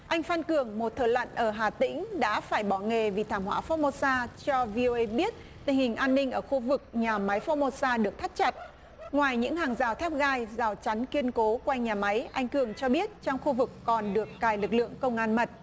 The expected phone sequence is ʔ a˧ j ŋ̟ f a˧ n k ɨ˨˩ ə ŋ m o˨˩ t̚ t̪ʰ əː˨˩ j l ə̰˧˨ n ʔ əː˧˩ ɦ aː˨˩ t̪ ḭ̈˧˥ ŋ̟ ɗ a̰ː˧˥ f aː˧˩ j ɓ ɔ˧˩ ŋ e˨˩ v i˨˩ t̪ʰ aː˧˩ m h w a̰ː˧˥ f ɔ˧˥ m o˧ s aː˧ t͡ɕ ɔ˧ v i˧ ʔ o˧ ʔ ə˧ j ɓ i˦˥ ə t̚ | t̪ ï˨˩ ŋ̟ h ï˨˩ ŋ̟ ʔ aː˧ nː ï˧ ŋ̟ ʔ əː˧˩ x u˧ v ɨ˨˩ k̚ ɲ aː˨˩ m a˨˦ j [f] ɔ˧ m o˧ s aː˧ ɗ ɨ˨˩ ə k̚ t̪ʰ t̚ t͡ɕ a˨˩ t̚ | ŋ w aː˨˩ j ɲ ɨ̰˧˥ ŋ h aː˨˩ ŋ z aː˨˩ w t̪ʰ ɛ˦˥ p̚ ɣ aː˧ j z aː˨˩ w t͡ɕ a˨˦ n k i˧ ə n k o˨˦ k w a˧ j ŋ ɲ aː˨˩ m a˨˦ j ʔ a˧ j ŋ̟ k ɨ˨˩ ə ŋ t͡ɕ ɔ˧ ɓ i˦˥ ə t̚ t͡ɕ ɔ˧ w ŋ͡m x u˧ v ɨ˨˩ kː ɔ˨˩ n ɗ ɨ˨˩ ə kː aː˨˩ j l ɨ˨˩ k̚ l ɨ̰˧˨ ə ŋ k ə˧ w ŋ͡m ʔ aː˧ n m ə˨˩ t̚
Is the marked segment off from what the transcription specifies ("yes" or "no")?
no